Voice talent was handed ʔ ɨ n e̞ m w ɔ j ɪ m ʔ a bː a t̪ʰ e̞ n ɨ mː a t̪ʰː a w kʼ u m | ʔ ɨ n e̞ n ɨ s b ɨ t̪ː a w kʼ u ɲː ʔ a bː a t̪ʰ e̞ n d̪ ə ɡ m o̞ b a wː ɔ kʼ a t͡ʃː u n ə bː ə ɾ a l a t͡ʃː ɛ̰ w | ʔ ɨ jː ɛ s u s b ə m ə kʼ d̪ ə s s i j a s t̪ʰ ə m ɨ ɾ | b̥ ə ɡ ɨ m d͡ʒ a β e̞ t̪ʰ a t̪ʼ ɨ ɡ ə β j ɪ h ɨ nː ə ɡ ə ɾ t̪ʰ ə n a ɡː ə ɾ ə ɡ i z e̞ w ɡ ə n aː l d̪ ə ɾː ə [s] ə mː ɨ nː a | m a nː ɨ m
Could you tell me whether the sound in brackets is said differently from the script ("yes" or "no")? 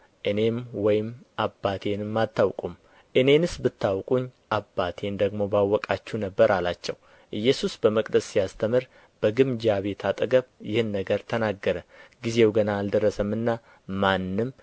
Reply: no